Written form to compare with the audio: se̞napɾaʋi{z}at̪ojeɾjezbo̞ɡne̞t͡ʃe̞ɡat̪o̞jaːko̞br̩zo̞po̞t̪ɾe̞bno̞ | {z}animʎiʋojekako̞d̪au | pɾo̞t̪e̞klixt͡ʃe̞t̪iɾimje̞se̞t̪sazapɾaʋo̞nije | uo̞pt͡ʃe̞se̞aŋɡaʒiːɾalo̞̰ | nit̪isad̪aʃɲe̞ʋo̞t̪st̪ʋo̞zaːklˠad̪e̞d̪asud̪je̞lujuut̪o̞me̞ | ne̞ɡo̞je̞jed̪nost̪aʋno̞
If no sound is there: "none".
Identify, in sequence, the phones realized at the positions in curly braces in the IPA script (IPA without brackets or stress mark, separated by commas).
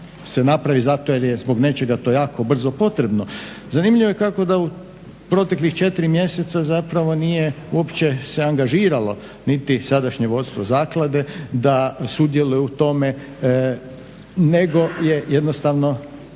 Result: z, z